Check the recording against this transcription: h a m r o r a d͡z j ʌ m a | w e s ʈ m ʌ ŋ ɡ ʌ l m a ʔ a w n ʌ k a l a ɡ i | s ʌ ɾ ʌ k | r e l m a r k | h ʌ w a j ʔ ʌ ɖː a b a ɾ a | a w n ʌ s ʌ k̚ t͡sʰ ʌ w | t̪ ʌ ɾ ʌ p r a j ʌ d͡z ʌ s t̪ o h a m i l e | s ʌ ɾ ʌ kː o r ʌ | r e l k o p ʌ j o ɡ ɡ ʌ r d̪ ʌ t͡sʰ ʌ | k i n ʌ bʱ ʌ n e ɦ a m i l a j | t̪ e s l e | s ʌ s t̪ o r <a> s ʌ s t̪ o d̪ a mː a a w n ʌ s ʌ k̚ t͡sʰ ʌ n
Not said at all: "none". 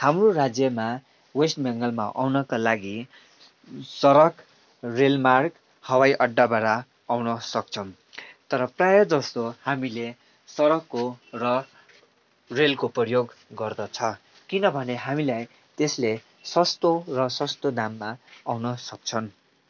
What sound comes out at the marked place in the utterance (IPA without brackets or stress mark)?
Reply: ʌ